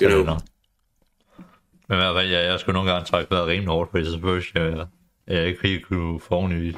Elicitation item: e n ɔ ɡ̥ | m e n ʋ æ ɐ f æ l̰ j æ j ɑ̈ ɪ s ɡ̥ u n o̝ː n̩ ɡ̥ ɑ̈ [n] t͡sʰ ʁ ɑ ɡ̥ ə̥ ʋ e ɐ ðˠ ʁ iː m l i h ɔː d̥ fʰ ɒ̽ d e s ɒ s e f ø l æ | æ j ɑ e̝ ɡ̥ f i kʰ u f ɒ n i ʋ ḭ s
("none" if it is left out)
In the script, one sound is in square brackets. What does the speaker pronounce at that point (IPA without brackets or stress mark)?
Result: ŋ